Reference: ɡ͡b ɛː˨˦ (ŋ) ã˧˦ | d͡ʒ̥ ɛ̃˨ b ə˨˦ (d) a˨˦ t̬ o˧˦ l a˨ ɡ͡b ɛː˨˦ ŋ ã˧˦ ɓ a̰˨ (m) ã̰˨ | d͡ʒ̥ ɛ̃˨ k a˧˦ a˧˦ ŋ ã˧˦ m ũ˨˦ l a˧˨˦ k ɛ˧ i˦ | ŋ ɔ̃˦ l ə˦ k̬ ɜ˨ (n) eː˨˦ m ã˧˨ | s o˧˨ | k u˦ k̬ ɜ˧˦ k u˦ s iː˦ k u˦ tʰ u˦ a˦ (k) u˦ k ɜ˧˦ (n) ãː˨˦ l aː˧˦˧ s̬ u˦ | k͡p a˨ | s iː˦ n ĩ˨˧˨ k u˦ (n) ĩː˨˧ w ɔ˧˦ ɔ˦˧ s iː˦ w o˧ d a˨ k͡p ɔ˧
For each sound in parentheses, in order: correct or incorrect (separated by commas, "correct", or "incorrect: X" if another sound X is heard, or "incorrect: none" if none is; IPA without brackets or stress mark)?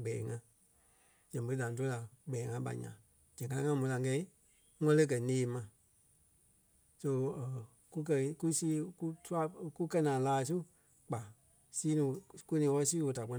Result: correct, correct, incorrect: ɲ, correct, correct, correct, correct